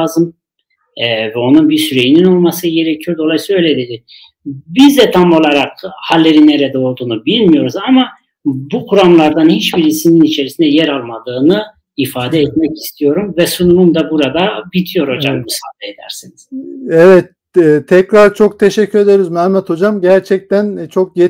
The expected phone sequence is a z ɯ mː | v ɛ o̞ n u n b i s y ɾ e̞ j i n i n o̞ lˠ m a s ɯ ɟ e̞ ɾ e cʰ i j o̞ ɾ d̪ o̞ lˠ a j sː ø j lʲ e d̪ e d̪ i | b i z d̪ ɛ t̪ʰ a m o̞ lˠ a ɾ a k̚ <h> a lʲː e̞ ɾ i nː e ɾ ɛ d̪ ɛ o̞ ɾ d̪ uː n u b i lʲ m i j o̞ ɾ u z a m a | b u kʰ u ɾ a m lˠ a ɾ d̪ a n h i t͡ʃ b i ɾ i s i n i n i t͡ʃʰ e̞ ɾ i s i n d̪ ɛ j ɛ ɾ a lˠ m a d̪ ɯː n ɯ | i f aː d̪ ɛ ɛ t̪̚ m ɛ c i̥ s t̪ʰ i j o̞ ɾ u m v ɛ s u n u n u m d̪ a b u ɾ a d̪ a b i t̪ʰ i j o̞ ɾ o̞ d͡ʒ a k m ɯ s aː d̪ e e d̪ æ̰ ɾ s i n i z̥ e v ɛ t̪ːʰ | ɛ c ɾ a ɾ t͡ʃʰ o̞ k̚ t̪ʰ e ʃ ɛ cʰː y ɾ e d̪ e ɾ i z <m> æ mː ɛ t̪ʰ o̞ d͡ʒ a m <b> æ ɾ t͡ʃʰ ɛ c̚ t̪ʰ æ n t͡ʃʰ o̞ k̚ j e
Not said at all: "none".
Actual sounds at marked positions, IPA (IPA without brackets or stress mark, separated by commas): h, m, ɟ